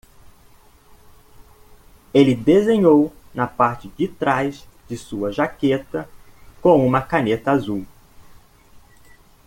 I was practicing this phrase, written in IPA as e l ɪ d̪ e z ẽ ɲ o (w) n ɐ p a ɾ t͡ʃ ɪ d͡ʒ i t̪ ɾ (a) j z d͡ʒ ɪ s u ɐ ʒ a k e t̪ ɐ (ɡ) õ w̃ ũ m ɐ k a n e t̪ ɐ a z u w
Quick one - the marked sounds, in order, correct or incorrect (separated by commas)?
correct, correct, incorrect